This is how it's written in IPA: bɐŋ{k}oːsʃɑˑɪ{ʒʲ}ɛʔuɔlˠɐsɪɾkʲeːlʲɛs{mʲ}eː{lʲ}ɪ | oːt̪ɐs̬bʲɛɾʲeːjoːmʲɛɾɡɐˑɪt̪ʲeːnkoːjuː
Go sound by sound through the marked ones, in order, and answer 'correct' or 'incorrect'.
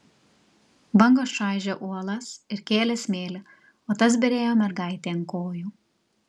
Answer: incorrect, correct, correct, correct

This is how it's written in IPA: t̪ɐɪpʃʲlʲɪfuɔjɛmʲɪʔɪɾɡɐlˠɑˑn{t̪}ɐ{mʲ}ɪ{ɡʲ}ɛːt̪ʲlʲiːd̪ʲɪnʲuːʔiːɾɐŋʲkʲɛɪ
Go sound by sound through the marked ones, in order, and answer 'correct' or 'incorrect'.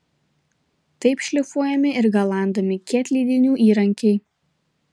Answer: incorrect, correct, incorrect

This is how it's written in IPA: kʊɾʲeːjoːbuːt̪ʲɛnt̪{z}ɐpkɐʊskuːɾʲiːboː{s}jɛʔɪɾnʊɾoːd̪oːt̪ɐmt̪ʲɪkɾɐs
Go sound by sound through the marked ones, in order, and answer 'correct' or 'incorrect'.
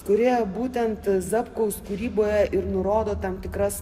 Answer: correct, incorrect

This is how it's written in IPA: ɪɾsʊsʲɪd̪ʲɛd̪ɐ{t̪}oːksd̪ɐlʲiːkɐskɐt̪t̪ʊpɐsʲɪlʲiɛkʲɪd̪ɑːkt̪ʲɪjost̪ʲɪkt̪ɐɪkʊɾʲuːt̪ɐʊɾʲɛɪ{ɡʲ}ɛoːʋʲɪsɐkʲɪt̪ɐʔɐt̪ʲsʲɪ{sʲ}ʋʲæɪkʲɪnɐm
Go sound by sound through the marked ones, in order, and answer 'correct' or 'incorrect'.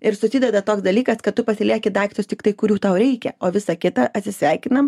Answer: correct, incorrect, correct

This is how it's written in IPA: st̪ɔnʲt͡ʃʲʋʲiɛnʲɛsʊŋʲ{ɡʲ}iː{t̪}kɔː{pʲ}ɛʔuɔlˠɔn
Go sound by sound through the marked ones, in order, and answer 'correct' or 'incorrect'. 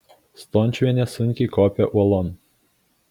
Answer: incorrect, incorrect, correct

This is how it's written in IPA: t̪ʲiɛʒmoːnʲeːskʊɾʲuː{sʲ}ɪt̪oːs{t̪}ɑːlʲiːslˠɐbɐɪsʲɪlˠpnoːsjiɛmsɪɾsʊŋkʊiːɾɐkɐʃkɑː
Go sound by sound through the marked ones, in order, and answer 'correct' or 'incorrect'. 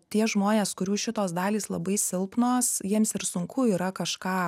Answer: incorrect, incorrect

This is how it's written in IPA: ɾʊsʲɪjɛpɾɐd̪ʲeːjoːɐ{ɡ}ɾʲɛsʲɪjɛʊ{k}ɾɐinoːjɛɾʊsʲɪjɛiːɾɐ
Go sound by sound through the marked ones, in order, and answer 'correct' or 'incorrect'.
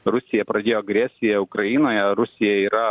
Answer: correct, correct

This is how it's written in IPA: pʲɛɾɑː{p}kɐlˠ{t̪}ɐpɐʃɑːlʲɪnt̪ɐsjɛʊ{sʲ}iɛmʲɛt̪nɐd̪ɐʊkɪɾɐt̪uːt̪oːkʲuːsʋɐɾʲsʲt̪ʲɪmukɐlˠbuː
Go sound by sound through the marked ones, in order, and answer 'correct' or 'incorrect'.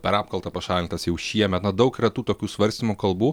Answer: correct, correct, incorrect

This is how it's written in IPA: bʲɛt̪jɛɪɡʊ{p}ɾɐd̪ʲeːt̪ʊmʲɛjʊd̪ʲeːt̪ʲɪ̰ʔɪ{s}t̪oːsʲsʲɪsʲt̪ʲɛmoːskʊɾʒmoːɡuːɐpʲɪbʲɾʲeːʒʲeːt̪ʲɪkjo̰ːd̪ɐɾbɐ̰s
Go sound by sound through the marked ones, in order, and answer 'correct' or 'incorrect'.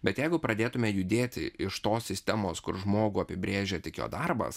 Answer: correct, incorrect

